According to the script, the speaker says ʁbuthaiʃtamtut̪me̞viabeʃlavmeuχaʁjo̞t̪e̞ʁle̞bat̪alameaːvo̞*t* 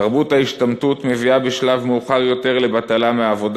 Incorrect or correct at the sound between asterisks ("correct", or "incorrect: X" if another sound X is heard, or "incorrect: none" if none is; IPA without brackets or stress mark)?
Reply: incorrect: d